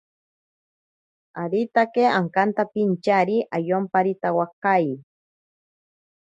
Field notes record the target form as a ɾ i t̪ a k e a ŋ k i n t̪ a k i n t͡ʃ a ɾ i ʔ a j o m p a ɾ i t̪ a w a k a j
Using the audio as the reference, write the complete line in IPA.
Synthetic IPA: a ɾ i t̪ a k e a ŋ k a n t̪ a p i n t͡ʃ a ɾ i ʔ a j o m p a ɾ i t̪ a w a k a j